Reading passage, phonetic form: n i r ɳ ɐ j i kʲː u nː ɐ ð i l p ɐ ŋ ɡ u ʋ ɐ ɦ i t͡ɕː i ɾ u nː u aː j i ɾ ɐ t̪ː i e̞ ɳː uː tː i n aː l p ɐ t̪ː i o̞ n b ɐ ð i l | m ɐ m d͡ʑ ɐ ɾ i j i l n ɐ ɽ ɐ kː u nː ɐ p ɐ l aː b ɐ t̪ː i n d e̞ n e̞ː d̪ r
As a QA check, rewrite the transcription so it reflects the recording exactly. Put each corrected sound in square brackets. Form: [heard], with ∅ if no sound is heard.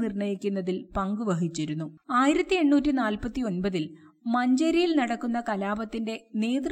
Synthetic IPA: n i r ɳ ɐ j i kʲː u nː ɐ ð i l p ɐ ŋ ɡ u ʋ ɐ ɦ i t͡ɕː i ɾ u nː u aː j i ɾ ɐ t̪ː i e̞ ɳː uː tː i n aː l p ɐ t̪ː i o̞ n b ɐ ð i l | m ɐ [ɲ] d͡ʑ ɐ ɾ i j i l n ɐ ɽ ɐ kː u nː ɐ [k] ɐ l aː b ɐ t̪ː i n d e̞ n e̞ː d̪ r